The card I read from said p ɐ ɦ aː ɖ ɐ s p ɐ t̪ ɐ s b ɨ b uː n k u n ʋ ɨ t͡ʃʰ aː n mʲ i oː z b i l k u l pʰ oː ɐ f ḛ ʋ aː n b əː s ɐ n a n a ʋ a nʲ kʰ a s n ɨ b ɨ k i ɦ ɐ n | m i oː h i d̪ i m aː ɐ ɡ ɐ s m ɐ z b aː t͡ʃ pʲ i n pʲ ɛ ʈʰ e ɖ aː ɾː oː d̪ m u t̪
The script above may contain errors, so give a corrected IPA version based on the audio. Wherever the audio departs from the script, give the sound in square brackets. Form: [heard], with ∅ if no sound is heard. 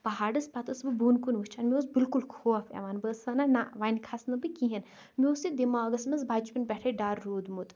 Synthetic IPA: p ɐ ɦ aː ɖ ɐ s p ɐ t̪ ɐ s b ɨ b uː n k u n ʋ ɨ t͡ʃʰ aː n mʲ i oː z b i l k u l [kʰ] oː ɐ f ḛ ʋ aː n b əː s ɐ n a n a ʋ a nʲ kʰ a s n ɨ b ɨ k i ɦ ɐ n | m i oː [s] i d̪ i m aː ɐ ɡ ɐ s m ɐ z b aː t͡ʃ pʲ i n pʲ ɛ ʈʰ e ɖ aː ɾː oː d̪ m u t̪

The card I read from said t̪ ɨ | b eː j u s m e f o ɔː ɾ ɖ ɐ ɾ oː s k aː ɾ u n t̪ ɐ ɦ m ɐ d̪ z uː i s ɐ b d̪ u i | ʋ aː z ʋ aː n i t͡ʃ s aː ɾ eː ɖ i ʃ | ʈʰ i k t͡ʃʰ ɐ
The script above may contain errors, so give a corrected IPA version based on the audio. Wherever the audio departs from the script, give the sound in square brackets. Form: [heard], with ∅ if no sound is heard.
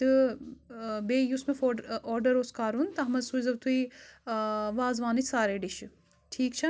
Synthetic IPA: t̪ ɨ | b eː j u s m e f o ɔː ɾ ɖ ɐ ɾ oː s k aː ɾ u n t̪ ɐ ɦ m ɐ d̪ [s] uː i [z] ɐ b [t̪] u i | ʋ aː z ʋ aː n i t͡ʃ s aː ɾ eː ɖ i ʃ | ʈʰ [iː] k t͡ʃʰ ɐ

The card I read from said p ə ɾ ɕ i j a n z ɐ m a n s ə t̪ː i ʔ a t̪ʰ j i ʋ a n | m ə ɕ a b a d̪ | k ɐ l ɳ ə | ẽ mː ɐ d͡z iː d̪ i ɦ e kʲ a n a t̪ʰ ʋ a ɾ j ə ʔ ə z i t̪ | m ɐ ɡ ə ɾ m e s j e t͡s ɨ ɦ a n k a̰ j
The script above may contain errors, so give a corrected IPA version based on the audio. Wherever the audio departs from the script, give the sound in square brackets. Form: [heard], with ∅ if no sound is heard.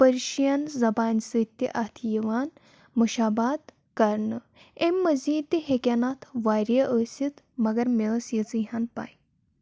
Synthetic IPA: p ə ɾ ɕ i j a n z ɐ [b] a n s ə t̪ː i ʔ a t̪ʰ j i ʋ a n | m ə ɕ a b a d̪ | k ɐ [ɾ] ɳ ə | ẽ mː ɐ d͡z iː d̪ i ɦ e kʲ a n a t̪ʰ ʋ a ɾ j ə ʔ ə [s] i t̪ | m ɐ ɡ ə ɾ m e s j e t͡s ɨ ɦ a n [p] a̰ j

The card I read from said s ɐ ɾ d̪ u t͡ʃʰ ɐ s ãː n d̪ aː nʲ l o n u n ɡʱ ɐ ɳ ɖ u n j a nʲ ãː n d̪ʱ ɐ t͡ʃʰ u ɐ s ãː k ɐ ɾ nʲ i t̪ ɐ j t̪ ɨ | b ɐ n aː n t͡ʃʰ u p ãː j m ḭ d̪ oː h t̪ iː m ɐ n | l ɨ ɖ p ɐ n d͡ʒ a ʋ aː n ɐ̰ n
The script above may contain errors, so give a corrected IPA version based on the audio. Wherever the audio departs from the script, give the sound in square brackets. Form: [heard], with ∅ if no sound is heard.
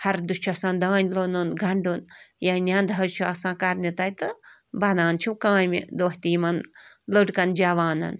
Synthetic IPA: [h] ɐ ɾ d̪ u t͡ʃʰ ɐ s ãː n d̪ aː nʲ l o n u n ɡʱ ɐ ɳ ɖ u n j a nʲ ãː n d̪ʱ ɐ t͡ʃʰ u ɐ s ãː k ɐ ɾ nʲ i t̪ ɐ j t̪ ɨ | b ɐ n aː n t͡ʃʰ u [k] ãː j m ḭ d̪ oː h t̪ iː m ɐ n | l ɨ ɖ [k] ɐ n d͡ʒ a ʋ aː n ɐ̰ n

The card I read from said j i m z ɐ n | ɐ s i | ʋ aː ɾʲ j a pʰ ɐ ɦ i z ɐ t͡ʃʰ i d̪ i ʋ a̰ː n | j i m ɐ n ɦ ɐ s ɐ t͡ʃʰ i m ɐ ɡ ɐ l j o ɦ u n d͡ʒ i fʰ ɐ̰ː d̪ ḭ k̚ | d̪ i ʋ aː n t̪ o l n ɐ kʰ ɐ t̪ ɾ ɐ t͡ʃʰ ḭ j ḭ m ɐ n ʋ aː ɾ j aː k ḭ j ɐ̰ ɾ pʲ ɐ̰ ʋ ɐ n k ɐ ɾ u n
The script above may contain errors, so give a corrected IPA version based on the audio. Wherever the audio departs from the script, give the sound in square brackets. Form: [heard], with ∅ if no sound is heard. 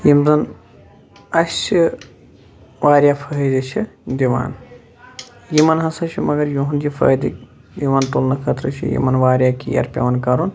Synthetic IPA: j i m z ɐ n | ɐ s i | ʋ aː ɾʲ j a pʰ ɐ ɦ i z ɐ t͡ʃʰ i d̪ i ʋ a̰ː n | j i m ɐ n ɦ ɐ s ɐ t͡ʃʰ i m ɐ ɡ ɐ [ɾ] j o ɦ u n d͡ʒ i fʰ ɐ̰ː d̪ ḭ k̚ | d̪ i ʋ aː n t̪ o l n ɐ kʰ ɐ t̪ ɾ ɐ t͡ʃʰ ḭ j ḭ m ɐ n ʋ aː ɾ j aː k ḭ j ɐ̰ ɾ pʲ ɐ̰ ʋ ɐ n k ɐ ɾ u n

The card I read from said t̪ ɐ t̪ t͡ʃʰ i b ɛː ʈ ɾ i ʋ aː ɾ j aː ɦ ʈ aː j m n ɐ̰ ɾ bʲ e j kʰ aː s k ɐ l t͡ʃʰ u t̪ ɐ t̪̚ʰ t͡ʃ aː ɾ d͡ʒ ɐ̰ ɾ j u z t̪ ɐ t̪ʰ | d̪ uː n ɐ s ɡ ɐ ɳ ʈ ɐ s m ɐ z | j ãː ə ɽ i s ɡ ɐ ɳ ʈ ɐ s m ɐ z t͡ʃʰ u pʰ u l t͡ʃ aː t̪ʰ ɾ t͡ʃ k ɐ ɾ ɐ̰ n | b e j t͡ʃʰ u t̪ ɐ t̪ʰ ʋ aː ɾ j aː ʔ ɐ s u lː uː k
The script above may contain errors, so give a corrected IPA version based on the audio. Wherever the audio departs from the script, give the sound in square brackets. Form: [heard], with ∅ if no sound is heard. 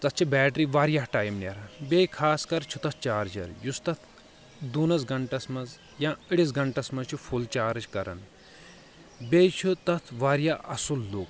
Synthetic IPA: t̪ ɐ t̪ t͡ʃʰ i b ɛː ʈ ɾ i ʋ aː ɾ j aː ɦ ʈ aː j m n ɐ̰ ɾ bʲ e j kʰ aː s k ɐ [ɾ] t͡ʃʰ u t̪ ɐ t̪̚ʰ t͡ʃ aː ɾ d͡ʒ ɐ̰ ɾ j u [s] t̪ ɐ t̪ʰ | d̪ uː n ɐ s ɡ ɐ ɳ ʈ ɐ s m ɐ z | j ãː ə ɽ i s ɡ ɐ ɳ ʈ ɐ s m ɐ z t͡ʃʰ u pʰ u l t͡ʃ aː [∅] ɾ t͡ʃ k ɐ ɾ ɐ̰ n | b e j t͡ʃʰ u t̪ ɐ t̪ʰ ʋ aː ɾ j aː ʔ ɐ s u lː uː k

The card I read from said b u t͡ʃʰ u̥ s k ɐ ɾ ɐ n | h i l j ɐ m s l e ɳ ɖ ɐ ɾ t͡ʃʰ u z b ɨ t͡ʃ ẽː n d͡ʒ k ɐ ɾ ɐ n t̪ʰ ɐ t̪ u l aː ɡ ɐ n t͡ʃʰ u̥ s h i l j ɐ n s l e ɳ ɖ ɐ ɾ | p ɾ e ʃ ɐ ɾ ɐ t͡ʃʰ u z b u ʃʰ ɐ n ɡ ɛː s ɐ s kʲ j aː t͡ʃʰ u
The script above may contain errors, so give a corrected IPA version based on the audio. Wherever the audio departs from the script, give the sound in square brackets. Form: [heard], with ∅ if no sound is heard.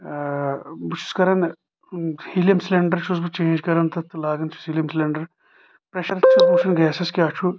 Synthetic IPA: b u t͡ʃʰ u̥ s k ɐ ɾ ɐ n | h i l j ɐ m s l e ɳ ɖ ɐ ɾ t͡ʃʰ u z b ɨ t͡ʃ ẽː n d͡ʒ k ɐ ɾ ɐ n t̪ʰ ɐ t̪ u l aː ɡ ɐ n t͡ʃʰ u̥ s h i l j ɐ [m] s l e ɳ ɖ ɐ ɾ | p ɾ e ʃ ɐ ɾ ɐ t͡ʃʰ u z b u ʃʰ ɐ n ɡ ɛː s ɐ s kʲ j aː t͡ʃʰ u

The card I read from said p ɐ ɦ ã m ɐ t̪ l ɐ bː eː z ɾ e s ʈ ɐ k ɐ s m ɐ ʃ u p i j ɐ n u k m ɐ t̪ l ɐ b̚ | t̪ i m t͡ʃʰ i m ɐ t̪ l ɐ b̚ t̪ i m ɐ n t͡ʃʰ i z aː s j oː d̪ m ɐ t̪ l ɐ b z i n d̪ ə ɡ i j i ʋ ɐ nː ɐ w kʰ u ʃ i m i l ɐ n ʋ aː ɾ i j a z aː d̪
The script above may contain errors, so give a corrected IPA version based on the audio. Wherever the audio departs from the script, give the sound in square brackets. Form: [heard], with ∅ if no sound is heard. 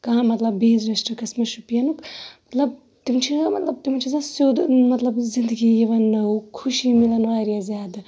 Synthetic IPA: [k] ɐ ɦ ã m ɐ t̪ l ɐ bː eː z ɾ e s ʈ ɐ k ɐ s m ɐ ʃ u p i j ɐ n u k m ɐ t̪ l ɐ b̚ | t̪ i m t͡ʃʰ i m ɐ t̪ l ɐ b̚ t̪ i m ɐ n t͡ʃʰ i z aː s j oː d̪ m ɐ t̪ l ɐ b z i n d̪ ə ɡ i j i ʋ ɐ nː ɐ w kʰ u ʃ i m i l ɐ n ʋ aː ɾ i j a z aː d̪

